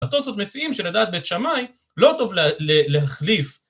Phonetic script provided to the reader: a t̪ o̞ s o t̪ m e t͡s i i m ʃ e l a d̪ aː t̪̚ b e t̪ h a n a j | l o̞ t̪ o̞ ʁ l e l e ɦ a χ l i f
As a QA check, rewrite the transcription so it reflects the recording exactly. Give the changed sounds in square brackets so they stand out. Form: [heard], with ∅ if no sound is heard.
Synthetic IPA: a t̪ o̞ s o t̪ m e t͡s i i m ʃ e l a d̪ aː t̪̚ b e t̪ [ʃ] a [m] a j | l o̞ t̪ o̞ [v] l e l e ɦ a χ l i f